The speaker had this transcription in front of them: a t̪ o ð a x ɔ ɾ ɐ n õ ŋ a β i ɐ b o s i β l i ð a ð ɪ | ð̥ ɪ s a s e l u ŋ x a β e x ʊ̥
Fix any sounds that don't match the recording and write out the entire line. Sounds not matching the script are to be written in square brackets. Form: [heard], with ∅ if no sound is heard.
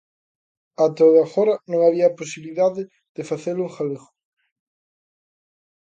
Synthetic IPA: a t̪ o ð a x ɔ ɾ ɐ n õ ŋ a β i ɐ [p] o s i β l i ð a ð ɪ | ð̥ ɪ [f] a [θ] e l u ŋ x a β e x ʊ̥

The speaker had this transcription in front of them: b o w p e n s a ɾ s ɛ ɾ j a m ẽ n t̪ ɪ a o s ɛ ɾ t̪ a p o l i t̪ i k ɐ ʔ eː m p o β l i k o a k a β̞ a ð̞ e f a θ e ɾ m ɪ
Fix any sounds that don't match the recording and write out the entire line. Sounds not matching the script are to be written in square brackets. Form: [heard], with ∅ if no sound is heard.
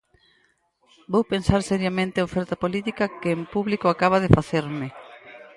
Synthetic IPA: b o w p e n s a ɾ s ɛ ɾ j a m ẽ n t̪ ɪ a o [f] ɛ ɾ t̪ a p o l i t̪ i k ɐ [k] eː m p [u] β l i k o a k a β̞ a ð̞ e f a θ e ɾ m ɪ

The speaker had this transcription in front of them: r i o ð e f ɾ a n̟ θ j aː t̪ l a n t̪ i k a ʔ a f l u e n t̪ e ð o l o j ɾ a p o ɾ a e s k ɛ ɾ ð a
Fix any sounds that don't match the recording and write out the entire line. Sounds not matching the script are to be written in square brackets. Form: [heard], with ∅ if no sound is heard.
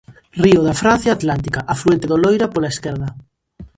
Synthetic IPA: r i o ð [a] f ɾ a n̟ θ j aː t̪ l a n t̪ i k a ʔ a f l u e n t̪ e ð o l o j ɾ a p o [l] a e s k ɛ ɾ ð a

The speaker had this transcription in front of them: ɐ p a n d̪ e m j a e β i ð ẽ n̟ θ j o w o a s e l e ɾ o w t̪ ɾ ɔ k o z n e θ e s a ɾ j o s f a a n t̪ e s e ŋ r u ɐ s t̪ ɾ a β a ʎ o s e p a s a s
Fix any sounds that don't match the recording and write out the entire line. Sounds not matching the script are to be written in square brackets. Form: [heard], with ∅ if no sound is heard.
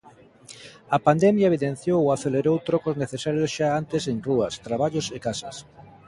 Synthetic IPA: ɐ p a n d̪ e m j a e β i ð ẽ n̟ θ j o w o a [θ] e l e ɾ o w t̪ ɾ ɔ k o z n e θ e s a ɾ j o s [ʃ] a a n t̪ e s e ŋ r u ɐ s t̪ ɾ a β a ʎ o s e [k] a s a s

